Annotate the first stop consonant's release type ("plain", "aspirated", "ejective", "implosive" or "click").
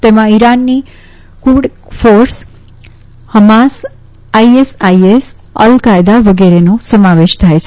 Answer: plain